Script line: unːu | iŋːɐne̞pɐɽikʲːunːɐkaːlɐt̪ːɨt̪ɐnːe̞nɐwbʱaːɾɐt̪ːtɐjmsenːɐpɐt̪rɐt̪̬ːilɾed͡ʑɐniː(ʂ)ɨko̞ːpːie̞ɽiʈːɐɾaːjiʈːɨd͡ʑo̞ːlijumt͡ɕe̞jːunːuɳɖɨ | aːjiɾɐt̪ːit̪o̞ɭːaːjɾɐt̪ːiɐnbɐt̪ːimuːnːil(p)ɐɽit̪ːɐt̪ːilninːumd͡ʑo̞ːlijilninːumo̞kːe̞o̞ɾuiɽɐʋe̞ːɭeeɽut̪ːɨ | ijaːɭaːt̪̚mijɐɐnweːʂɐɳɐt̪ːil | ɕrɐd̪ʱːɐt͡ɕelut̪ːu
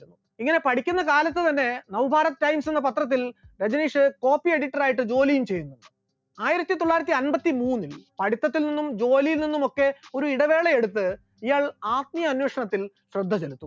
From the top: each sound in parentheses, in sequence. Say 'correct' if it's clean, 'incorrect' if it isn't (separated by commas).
correct, correct